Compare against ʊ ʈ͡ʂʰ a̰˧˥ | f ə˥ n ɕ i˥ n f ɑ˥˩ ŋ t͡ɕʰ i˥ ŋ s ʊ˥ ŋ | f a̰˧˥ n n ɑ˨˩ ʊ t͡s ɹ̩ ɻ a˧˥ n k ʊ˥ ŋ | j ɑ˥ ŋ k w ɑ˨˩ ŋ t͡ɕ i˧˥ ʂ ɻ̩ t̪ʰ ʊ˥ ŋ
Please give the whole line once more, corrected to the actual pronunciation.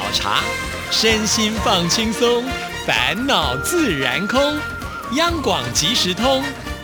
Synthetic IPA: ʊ ʈ͡ʂʰ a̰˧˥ | ʂ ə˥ n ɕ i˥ n f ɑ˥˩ ŋ t͡ɕʰ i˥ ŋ s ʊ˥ ŋ | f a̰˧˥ n n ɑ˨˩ ʊ t͡s ɹ̩ ɻ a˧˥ n kʰ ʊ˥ ŋ | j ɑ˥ ŋ k w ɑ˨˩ ŋ t͡ɕ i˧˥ ʂ ɻ̩ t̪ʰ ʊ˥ ŋ